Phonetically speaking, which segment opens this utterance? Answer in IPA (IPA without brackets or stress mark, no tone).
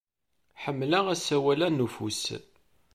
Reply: ħ